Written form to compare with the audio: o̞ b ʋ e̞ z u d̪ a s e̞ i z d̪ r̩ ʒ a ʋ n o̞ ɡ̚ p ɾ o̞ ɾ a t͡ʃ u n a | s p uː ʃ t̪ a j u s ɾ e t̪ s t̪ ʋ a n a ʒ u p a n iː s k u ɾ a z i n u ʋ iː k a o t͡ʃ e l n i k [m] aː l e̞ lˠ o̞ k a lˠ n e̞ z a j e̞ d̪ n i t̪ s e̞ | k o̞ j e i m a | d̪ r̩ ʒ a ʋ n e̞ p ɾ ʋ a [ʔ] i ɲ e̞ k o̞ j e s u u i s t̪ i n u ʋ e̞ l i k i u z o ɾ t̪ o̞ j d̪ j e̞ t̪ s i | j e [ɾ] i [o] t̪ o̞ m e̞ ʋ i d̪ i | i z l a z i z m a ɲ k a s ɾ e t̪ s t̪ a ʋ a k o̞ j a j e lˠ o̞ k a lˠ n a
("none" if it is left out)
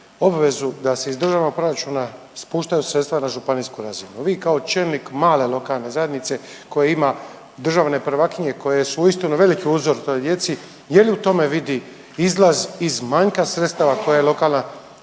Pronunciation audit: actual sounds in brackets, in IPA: m, k, l, u

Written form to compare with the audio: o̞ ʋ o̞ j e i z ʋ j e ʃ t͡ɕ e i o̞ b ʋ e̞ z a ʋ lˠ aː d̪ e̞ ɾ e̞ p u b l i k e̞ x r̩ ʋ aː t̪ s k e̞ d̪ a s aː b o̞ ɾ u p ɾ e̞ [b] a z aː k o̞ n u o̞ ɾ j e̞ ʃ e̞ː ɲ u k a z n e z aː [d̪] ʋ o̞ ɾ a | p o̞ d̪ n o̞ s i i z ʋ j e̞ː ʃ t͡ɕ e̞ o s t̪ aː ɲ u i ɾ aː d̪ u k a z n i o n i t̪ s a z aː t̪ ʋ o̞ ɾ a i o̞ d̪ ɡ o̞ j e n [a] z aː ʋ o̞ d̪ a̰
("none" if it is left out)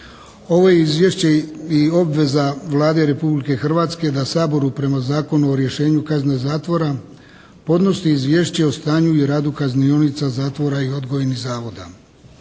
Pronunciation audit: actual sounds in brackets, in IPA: m, t̪, i

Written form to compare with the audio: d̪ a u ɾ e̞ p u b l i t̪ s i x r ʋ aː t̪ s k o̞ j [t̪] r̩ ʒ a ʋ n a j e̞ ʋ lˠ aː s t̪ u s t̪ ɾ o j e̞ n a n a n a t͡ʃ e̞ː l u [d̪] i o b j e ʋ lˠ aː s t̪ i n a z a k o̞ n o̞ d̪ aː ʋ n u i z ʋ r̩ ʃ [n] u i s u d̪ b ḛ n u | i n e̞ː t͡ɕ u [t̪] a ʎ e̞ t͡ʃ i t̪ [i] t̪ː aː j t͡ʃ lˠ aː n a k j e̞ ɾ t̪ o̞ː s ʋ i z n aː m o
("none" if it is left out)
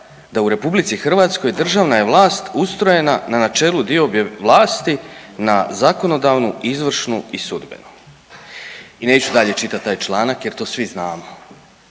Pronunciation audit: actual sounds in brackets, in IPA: d̪, d̪, n, d̪, a

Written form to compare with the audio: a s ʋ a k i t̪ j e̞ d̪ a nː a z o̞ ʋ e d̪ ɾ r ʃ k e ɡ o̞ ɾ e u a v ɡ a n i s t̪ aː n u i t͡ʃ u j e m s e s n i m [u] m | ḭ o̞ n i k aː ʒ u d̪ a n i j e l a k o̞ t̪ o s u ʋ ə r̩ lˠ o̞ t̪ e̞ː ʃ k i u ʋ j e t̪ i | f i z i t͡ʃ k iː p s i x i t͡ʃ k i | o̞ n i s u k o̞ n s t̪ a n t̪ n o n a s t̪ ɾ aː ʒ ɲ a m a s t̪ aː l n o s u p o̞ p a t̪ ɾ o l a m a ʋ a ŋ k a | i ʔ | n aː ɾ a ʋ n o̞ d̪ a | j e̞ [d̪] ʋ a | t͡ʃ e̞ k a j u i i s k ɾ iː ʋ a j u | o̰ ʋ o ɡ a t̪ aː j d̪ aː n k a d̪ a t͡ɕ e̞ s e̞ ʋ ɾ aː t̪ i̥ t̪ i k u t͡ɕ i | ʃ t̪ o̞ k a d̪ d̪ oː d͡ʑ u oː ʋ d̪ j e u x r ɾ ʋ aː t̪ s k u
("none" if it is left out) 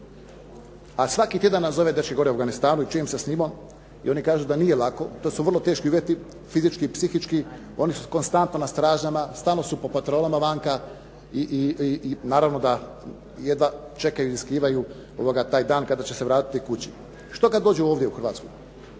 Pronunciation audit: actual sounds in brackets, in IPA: o, d̪

